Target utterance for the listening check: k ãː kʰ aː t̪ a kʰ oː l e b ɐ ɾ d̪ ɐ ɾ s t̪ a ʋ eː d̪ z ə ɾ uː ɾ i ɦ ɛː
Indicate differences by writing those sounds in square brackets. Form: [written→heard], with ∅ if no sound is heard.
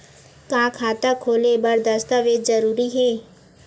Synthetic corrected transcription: k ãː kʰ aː t̪ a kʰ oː l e b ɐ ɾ d̪ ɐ [ɾ→∅] s t̪ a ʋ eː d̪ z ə ɾ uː ɾ i ɦ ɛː